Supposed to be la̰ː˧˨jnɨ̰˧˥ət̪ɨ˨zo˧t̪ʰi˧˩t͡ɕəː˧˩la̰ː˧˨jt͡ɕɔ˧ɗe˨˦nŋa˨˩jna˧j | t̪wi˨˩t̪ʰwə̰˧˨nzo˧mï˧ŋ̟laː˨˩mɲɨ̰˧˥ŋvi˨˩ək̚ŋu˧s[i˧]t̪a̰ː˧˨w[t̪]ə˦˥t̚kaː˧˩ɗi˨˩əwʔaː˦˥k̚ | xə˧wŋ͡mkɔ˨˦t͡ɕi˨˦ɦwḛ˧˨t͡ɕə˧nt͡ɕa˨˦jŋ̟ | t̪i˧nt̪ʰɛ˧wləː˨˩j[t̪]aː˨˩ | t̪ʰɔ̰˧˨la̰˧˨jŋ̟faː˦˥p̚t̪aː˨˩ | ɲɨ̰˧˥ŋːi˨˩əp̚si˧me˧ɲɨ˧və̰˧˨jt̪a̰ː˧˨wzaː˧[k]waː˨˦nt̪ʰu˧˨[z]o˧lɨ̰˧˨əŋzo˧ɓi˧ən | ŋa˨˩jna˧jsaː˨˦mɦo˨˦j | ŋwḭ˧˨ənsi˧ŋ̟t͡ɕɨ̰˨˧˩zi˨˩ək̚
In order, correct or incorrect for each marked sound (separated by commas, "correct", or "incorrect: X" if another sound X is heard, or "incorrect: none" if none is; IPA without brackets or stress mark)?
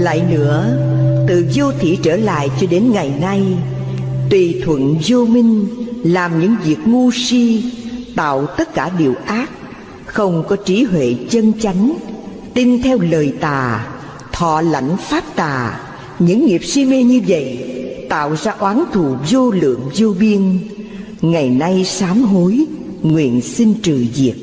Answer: correct, correct, correct, incorrect: ʔ, correct